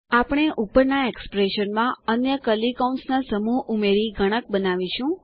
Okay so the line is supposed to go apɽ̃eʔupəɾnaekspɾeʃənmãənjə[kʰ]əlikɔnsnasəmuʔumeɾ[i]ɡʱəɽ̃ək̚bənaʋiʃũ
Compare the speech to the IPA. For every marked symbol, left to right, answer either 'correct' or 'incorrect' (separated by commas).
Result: incorrect, correct